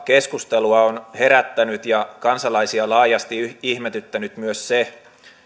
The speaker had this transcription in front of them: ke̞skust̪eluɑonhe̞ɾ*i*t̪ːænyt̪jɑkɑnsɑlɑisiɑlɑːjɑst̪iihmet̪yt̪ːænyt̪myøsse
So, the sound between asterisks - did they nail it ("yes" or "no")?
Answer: no